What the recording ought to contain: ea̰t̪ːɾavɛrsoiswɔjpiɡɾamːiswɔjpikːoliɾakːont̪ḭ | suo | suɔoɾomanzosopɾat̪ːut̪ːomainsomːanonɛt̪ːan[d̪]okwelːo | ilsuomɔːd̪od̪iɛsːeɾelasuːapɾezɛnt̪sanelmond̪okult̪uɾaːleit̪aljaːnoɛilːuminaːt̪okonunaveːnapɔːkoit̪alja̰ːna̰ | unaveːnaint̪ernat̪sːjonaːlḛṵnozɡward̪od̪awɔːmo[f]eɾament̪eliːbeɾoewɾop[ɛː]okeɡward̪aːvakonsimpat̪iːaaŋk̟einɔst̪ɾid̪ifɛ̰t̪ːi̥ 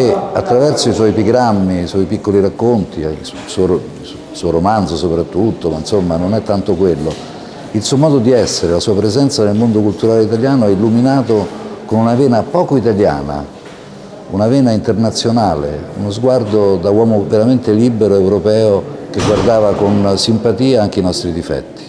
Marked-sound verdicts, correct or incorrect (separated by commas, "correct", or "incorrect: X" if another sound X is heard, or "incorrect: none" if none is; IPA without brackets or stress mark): incorrect: t̪, incorrect: v, correct